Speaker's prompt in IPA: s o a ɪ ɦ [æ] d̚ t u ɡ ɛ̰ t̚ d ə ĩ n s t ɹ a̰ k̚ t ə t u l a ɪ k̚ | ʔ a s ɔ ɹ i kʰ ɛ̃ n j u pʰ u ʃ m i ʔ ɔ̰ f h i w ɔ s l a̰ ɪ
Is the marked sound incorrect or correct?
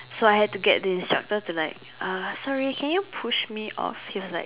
incorrect